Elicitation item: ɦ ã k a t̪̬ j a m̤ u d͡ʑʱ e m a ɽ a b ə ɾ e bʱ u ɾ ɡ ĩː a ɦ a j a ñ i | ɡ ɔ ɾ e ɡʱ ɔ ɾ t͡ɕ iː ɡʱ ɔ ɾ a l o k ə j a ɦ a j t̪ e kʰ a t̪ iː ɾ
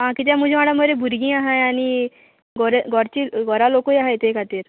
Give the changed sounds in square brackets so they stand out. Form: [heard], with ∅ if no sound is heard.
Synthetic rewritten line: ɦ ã k [i] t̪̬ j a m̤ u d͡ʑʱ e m a ɽ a [m] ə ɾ e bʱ u ɾ ɡ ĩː a ɦ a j a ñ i | ɡ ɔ ɾ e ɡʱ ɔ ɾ t͡ɕ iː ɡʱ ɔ ɾ a l o k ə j a ɦ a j t̪ e kʰ a t̪ iː ɾ